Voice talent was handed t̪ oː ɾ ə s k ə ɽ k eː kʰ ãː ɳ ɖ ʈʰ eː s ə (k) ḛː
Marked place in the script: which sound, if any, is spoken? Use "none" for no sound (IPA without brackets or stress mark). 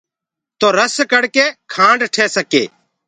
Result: k